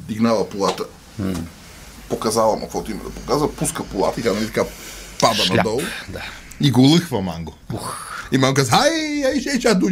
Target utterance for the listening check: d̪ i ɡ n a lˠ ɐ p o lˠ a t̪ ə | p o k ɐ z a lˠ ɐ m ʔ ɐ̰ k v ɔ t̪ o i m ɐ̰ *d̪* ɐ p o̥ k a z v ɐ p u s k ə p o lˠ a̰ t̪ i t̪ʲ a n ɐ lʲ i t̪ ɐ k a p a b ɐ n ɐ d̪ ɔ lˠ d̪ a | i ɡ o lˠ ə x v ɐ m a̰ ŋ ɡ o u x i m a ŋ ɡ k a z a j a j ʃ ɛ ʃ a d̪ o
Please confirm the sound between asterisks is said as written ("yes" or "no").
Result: yes